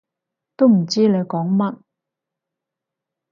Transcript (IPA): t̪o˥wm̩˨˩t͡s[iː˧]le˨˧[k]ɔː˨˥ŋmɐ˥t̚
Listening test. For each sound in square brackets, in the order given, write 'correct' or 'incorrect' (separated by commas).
incorrect, correct